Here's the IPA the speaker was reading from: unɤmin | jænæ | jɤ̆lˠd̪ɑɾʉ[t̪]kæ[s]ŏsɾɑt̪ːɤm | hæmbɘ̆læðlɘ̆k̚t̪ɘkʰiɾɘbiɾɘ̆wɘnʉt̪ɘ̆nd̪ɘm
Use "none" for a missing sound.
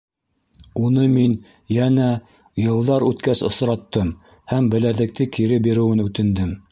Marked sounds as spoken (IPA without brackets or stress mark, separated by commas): t̪, s